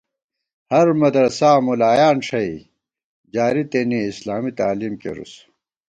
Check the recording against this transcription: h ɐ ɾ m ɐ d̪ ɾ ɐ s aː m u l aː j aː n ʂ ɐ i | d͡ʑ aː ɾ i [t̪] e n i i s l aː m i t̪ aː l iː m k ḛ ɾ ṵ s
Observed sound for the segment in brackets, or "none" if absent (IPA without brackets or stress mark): t̪